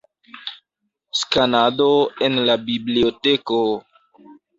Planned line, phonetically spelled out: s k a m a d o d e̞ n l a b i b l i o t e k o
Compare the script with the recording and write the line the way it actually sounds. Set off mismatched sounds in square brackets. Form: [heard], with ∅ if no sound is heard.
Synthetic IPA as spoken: s k a [n] a d o [∅] e̞ n l a b i b l i o t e k o